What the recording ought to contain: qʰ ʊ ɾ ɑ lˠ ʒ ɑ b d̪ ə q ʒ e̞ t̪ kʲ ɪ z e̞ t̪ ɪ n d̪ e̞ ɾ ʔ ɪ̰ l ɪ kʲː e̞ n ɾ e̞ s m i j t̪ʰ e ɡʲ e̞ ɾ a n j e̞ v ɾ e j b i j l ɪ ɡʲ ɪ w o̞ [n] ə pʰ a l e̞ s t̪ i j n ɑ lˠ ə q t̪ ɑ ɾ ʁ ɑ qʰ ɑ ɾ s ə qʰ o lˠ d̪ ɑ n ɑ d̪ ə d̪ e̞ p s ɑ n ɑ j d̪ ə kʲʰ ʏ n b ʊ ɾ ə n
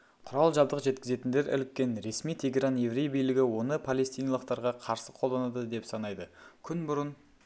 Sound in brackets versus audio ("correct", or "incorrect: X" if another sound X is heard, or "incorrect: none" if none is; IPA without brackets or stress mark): correct